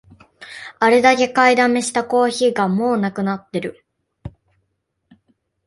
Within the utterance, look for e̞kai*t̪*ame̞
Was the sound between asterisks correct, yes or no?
no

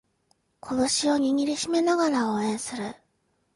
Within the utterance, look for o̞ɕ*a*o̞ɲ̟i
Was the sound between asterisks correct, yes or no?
no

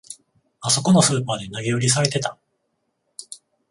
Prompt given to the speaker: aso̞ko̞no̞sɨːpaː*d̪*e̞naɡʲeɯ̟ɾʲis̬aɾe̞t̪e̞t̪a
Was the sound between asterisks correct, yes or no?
yes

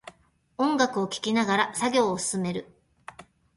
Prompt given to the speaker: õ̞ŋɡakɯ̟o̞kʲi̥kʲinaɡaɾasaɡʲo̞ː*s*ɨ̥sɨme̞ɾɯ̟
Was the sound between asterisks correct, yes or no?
yes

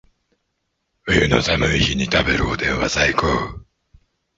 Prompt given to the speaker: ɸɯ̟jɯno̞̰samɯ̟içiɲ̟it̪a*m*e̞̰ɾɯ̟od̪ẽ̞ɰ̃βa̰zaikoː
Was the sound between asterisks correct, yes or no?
no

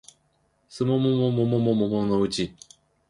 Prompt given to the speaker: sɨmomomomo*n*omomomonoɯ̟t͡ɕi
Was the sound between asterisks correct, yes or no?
no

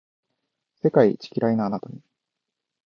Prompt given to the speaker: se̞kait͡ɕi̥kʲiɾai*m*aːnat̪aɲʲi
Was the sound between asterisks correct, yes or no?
no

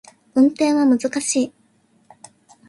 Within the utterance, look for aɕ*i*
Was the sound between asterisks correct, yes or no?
no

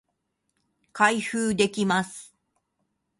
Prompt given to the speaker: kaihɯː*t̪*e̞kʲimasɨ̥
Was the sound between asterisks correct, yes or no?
no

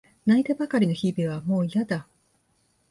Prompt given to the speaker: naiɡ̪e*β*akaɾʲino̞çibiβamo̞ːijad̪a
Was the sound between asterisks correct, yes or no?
no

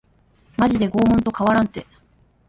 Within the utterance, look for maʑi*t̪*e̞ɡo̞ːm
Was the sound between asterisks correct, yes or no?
no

